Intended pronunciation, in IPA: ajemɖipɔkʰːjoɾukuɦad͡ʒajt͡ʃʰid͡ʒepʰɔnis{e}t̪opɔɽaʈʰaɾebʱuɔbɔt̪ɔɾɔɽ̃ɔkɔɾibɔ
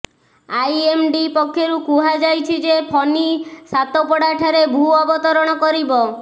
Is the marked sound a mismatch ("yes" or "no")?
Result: yes